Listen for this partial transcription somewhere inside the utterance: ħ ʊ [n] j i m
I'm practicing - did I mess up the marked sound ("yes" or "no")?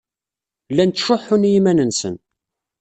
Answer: no